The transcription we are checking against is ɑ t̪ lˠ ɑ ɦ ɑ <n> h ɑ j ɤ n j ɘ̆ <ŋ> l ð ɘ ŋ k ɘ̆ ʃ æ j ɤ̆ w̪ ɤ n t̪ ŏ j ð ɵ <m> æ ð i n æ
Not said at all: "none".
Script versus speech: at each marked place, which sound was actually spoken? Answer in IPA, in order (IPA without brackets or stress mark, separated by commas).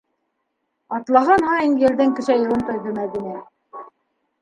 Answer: n, none, m